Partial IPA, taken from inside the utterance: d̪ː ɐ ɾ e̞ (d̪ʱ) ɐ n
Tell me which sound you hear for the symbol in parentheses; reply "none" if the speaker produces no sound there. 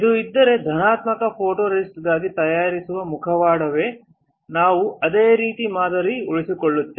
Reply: d̪ʱ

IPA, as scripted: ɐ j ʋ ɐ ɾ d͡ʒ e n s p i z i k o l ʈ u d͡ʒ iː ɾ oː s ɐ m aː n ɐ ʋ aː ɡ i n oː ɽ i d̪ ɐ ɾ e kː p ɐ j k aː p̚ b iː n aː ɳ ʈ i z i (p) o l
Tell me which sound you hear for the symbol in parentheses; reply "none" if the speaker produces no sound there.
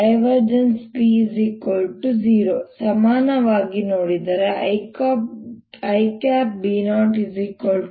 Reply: k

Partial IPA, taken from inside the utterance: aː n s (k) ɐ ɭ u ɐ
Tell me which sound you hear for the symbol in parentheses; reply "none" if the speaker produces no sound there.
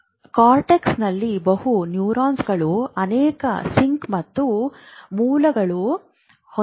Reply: ɡ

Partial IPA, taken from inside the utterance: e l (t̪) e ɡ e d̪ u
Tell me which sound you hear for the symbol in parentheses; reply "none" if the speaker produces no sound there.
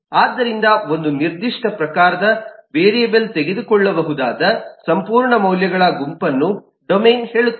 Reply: t̪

